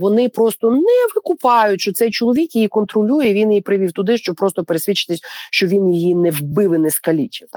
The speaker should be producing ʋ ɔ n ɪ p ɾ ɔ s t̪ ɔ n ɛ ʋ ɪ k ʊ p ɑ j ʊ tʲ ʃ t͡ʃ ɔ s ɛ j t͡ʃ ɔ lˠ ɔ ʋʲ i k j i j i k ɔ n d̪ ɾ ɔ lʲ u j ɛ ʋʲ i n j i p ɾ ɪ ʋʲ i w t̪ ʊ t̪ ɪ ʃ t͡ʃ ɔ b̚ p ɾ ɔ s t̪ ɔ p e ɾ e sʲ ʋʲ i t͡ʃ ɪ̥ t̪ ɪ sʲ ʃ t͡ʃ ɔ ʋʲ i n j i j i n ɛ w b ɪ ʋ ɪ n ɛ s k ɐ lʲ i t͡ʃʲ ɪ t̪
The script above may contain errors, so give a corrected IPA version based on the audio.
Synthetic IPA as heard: ʋ ɔ n ɪ p ɾ ɔ s t̪ ɔ n ɛ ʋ ɪ k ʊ p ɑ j ʊ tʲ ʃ t͡ʃ ɔ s ɛ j t͡ʃ ɔ lˠ ɔ ʋʲ i k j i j i k ɔ n t̪ ɾ ɔ lʲ u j ɛ ʋʲ i n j i p ɾ ɪ ʋʲ i w t̪ ʊ d̪ ɪ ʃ t͡ʃ ɔ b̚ p ɾ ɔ s t̪ ɔ p e ɾ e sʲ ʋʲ i t͡ʃ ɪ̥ t̪ ɪ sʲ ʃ t͡ʃ ɔ ʋʲ i n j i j i n ɛ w b ɪ ʋ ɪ n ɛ s k ɐ lʲ i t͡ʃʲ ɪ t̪